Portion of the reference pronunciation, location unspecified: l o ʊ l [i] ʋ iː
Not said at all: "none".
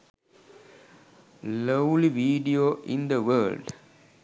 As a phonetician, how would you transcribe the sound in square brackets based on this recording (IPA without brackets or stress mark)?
i